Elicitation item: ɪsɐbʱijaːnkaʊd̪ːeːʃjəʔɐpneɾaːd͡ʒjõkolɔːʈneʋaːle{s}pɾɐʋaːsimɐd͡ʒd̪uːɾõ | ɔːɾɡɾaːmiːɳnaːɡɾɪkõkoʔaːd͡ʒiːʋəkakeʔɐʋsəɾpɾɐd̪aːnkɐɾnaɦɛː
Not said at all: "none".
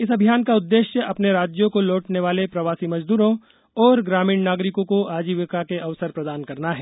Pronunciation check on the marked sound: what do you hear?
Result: none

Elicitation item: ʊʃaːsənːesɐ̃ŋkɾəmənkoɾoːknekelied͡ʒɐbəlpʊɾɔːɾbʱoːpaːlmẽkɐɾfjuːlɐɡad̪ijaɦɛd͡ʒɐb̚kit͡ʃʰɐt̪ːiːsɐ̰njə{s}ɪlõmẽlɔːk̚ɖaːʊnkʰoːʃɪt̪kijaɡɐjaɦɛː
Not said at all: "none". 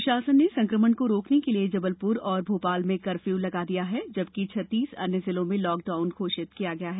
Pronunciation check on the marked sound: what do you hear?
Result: z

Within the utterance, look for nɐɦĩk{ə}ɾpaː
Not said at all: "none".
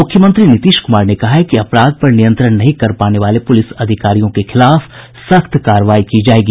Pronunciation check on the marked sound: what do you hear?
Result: ɐ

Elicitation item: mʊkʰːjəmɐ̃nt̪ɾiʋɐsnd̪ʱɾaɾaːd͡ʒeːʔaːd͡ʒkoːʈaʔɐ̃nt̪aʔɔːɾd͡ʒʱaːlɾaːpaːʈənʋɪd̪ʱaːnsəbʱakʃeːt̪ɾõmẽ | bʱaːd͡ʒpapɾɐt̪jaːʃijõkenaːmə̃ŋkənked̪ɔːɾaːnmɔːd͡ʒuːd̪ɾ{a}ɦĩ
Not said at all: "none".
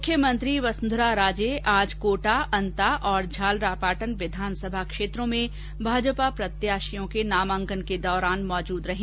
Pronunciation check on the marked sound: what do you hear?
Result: ɐ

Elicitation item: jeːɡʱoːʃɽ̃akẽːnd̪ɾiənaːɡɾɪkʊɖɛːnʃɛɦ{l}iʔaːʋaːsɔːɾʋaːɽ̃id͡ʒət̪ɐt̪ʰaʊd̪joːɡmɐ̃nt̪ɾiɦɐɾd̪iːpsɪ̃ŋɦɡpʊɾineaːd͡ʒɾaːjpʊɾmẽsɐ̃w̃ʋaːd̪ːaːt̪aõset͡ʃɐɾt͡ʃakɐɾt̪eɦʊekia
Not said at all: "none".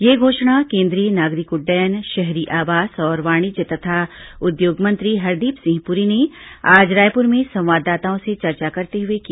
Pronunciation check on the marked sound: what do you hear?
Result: ɾ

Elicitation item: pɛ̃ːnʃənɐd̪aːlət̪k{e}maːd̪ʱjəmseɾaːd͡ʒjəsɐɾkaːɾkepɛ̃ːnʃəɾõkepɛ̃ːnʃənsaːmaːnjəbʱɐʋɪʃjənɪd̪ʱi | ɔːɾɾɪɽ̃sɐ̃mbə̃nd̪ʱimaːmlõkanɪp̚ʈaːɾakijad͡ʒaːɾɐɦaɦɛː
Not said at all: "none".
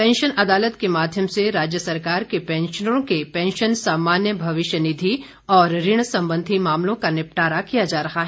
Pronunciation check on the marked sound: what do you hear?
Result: e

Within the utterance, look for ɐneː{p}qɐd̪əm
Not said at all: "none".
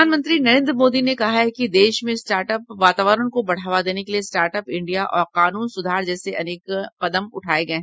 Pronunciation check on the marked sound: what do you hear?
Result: k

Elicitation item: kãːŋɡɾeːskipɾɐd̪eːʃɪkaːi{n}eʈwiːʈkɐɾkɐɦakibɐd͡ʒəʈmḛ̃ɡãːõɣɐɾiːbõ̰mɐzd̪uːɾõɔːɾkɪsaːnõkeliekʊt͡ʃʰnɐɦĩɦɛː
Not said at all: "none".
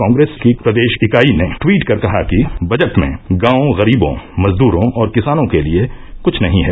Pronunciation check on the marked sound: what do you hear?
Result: n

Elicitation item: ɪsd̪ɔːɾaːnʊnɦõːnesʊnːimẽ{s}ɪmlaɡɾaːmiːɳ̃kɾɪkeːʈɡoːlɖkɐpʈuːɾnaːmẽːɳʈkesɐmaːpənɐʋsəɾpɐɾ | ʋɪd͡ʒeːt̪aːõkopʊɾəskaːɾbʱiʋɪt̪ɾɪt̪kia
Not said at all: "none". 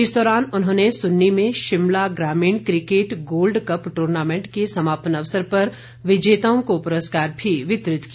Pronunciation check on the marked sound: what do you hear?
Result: ʃ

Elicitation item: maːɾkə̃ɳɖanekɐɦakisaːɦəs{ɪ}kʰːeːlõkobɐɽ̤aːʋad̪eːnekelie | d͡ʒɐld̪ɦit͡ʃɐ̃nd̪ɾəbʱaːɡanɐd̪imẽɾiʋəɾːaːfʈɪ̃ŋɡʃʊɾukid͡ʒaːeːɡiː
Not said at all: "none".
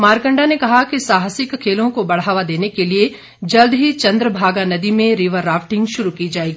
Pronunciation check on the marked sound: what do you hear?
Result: ɪ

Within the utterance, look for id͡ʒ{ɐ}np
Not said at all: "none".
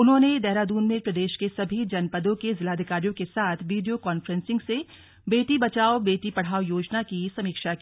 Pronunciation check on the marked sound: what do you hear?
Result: ɐ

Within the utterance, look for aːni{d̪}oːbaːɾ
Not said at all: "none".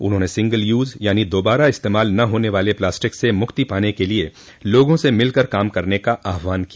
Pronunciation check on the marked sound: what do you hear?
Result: d̪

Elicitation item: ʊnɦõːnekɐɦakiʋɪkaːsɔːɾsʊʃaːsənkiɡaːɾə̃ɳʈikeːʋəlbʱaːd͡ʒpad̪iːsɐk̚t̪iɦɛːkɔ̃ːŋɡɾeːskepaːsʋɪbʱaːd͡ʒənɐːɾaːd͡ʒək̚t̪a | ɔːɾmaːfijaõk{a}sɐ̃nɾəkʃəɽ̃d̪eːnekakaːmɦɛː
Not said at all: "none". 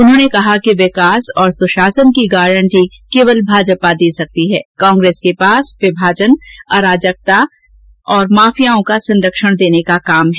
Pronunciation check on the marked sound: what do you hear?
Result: a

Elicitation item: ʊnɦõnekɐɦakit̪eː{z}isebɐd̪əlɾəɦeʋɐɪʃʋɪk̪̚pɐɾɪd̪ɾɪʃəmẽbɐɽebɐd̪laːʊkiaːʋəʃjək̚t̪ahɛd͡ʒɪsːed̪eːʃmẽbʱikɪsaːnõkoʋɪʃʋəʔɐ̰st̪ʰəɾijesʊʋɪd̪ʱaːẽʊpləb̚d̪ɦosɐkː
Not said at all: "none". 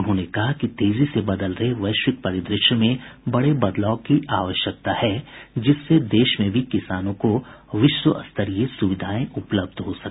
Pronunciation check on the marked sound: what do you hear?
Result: z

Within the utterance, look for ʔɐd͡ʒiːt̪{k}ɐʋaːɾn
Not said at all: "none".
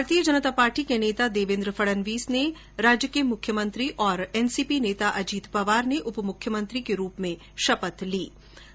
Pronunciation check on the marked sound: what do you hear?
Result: p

